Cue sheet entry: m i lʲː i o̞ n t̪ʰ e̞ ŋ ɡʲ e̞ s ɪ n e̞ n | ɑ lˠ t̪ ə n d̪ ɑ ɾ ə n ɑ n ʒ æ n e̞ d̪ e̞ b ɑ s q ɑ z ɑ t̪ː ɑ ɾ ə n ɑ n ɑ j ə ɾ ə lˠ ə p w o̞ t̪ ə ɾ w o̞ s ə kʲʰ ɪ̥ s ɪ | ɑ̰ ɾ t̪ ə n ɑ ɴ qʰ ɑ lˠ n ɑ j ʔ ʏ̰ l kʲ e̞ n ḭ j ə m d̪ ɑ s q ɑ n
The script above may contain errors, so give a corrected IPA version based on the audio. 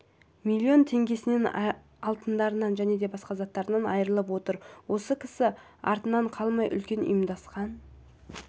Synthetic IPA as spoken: m i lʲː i o̞ n t̪ʰ e̞ ŋ ɡʲ e̞ s ɪ n e̞ n | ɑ lˠ t̪ ə n d̪ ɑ ɾ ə n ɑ n ʒ æ n e̞ d̪ e̞ b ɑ s q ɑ z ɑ t̪ː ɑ ɾ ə n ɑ n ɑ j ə ɾ ə lˠ ə p w o̞ t̪ ə ɾ w o̞ s ə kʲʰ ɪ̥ s ɪ | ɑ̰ ɾ t̪ ə n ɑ ɴ qʰ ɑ lˠ m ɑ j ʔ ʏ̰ l kʲ e̞ n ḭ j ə m d̪ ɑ s q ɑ n